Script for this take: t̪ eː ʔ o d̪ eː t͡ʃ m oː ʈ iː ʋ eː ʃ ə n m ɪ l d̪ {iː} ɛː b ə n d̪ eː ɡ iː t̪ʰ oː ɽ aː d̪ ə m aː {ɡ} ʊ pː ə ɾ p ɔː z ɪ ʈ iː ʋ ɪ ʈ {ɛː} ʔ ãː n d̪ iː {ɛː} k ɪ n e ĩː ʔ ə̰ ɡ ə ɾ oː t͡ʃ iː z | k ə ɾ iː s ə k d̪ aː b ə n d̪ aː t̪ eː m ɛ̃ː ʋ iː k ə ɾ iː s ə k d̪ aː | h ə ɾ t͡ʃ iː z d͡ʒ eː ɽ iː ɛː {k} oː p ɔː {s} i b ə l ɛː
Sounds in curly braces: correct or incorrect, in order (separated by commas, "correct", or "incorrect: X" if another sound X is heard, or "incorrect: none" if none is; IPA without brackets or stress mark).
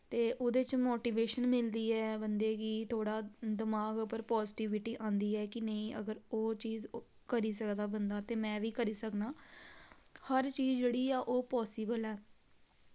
correct, correct, incorrect: iː, correct, incorrect: ʔ, correct